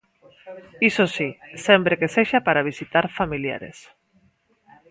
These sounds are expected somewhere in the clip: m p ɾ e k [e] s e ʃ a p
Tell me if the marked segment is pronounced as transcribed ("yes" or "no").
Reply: yes